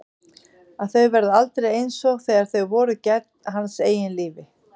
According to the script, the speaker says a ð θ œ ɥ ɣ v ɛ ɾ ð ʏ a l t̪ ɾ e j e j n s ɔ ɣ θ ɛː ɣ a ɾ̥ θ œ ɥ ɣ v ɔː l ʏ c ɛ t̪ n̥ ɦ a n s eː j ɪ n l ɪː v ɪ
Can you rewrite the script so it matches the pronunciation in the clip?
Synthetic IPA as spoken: a ð θ œ ɥ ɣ v ɛ ɾ ð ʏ a l t̪ ɾ e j e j n s ɔ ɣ θ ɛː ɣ a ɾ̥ θ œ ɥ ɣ v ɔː ɾ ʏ c ɛ t̪ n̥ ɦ a n s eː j ɪ n l iː v ɪ